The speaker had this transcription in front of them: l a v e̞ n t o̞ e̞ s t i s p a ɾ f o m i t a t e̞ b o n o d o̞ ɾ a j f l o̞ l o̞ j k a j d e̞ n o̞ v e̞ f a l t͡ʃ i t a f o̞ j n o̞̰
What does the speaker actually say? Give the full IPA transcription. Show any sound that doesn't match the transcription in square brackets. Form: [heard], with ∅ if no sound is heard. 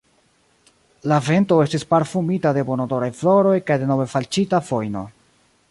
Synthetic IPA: l a v e̞ n t o̞ e̞ s t i s p a ɾ f [u] m i t a [d] e̞ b o n o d o̞ ɾ a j f l o̞ [ɾ] o̞ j k a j d e̞ n o̞ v e̞ f a l t͡ʃ i t a f o̞ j n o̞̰